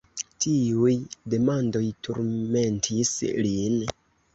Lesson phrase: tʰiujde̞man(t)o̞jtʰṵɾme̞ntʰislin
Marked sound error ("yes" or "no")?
yes